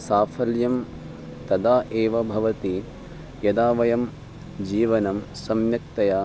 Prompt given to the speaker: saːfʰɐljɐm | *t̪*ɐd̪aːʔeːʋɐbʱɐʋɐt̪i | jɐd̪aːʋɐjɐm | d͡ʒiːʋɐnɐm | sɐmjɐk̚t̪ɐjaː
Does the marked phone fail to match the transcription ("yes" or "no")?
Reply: no